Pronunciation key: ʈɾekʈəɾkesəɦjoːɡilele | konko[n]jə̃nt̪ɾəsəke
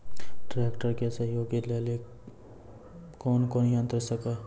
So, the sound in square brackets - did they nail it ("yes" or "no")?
yes